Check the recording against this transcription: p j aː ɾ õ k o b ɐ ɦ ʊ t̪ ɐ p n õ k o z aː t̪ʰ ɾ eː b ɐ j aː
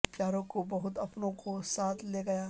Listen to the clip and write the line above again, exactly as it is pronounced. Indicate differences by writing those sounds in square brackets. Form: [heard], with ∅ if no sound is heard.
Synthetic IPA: p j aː ɾ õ k o b ɐ ɦ ʊ t̪ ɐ p n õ k o [s] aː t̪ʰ [l] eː [ɡ] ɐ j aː